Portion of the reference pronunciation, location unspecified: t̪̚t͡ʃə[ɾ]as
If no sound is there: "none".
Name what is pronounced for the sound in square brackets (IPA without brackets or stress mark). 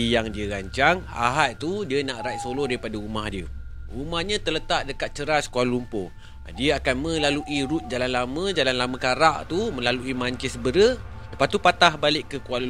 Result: ɾ